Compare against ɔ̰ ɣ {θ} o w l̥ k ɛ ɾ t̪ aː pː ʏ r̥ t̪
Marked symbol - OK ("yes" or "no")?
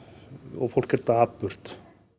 no